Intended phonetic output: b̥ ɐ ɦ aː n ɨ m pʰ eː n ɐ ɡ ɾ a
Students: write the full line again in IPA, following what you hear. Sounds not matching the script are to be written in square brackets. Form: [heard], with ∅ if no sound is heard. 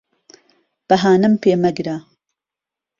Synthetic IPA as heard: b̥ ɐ ɦ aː n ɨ m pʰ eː [m] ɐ ɡ ɾ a